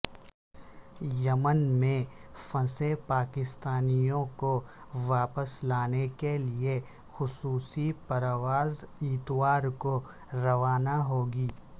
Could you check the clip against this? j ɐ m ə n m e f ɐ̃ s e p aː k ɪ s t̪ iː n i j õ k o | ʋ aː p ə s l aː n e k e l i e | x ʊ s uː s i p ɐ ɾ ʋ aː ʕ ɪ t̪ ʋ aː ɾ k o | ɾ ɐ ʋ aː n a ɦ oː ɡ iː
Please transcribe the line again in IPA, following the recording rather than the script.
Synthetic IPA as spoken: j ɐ m ə n m ẽ f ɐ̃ s e p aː k ɪ s t̪ aː n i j õ k o | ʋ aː p ə s l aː n e k e l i e | x ʊ s uː s i p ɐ ɾ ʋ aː z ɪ t̪ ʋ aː ɾ k o | ɾ ɐ ʋ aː n a ɦ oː ɡ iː